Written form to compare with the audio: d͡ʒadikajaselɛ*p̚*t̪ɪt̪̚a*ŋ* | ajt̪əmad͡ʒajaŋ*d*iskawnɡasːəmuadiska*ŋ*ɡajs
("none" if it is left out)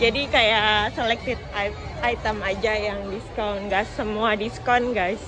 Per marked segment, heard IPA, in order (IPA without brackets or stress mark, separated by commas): k̚, none, d, n